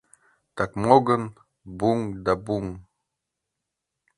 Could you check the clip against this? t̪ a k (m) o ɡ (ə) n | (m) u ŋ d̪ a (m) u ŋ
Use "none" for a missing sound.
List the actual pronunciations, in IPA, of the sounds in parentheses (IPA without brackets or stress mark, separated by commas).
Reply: m, ə, b, b